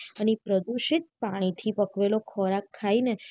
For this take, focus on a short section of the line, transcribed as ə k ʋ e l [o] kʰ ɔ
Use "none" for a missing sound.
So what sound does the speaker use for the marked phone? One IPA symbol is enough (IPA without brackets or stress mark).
o